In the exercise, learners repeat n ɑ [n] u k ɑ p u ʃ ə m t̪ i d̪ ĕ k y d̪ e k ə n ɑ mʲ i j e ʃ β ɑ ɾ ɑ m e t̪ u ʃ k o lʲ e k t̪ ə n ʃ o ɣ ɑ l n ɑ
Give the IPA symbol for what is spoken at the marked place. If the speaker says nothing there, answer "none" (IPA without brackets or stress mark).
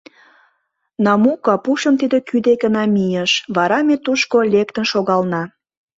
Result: m